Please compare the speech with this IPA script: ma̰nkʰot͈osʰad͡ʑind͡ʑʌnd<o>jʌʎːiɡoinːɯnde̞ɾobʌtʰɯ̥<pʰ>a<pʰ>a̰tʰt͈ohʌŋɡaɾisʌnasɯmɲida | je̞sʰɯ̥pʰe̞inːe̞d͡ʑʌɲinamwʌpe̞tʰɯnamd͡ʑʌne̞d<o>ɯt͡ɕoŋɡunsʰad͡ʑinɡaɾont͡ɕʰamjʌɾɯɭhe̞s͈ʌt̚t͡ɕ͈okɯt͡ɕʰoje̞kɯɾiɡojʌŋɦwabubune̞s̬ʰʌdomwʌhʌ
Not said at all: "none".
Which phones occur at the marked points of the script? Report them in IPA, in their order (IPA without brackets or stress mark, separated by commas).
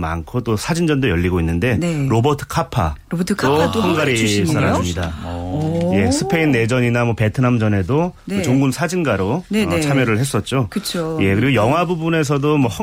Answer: o, kʰ, pʰ, o